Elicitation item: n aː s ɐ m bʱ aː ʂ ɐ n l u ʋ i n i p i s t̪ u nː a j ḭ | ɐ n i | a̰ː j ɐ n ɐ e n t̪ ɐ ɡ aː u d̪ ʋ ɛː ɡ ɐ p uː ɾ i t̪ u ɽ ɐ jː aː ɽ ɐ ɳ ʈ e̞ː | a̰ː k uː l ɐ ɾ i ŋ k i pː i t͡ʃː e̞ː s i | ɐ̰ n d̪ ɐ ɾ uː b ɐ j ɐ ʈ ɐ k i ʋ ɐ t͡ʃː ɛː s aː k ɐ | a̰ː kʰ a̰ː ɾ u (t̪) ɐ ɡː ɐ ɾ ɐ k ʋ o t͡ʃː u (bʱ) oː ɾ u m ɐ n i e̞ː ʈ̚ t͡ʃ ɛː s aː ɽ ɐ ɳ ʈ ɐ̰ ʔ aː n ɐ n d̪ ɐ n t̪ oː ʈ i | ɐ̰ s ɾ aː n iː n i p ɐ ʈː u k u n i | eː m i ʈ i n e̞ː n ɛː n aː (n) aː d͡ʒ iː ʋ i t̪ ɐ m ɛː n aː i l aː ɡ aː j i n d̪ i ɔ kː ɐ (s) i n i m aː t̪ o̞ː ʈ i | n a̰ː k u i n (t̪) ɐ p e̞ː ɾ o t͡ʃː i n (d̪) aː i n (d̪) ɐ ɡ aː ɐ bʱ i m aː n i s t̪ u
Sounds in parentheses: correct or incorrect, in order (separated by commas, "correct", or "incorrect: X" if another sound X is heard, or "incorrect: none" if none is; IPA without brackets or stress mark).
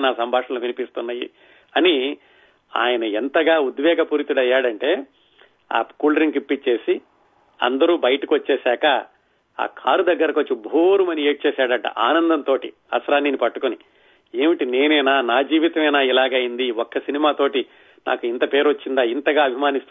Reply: incorrect: d̪, correct, correct, correct, correct, correct, incorrect: t̪